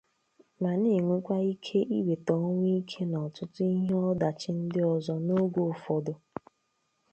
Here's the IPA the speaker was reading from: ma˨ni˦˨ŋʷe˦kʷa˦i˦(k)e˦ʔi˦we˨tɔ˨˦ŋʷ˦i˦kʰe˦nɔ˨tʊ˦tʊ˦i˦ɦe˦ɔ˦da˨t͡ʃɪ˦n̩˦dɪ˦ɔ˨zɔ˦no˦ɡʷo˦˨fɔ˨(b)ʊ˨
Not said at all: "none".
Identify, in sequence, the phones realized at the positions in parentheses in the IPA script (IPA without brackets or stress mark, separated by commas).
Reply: kʰ, d